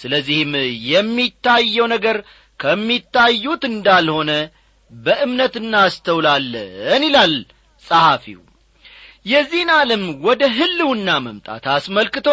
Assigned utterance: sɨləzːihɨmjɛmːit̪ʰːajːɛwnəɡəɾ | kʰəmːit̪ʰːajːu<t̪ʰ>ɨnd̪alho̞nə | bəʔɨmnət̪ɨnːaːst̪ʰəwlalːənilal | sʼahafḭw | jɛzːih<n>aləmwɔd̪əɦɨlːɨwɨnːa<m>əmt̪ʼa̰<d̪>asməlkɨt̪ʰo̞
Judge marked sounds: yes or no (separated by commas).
no, yes, yes, no